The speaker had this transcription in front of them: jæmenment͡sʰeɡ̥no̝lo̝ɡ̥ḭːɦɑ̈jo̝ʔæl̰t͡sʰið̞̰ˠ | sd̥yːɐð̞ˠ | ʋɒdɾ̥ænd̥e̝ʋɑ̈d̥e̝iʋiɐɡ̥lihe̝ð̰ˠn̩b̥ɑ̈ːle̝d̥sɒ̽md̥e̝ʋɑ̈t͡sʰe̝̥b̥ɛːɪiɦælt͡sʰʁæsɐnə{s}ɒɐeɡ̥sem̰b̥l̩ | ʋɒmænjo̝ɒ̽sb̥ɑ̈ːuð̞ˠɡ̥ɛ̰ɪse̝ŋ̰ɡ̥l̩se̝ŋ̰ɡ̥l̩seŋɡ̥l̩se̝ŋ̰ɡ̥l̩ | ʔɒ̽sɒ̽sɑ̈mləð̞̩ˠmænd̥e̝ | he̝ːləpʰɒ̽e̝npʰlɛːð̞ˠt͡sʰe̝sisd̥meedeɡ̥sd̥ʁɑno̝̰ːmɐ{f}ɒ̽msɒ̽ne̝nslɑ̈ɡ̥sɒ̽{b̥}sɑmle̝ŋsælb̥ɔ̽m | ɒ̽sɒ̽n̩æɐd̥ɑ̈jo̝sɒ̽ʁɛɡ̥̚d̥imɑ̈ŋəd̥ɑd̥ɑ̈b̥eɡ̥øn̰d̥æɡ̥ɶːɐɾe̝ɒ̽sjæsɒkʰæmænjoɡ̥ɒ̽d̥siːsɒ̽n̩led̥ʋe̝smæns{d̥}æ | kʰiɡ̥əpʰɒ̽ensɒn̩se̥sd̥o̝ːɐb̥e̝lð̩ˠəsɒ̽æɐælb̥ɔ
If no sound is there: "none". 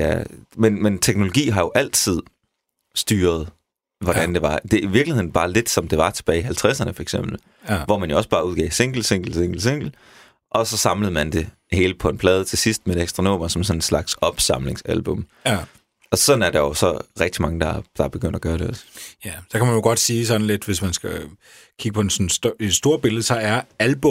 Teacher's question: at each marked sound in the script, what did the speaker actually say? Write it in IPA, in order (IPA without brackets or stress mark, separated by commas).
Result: f, s, b̥, ɡ̥